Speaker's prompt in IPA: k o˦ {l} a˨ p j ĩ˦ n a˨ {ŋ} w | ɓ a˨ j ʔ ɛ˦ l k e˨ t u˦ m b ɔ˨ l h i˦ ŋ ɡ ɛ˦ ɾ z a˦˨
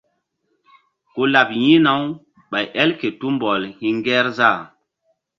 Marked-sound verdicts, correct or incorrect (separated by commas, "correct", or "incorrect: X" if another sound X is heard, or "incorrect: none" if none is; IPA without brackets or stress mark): correct, incorrect: none